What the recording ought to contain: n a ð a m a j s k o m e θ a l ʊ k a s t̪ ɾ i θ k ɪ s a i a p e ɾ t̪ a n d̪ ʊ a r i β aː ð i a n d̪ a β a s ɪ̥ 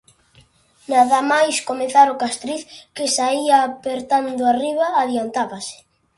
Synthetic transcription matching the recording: n a ð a m a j s k o m e θ a ɾ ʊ k a s t̪ ɾ i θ k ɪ s a i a p e ɾ t̪ a n d̪ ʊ a r i β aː ð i a n t̪ a β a s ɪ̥